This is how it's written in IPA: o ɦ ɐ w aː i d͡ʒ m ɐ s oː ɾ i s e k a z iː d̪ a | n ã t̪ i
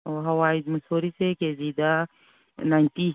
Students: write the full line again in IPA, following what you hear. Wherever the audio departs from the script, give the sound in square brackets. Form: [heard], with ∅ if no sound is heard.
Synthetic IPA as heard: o ɦ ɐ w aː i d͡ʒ m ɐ s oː ɾ i s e k [e] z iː d̪ a | n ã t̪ i